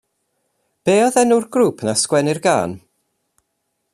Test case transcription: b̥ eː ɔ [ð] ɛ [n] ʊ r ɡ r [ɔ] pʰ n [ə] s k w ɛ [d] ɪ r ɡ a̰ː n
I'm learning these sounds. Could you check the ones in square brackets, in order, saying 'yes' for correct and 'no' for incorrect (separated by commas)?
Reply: yes, yes, no, no, no